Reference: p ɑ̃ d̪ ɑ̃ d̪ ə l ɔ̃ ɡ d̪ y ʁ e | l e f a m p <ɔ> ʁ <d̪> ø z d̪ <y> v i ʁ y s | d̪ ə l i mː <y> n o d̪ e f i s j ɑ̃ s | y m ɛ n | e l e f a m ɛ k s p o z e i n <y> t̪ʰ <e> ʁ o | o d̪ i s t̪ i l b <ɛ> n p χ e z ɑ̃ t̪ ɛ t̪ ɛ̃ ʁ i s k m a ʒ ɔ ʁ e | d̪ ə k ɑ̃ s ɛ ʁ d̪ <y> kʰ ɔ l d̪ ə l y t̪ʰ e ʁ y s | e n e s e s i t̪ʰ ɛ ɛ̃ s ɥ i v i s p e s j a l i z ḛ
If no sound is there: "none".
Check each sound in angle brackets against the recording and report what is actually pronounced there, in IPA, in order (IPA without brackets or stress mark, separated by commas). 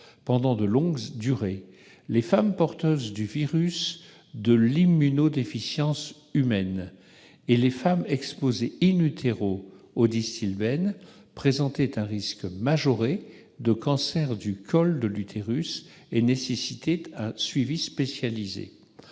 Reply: ɔ, t̪, y, y, y, e, ɛ, y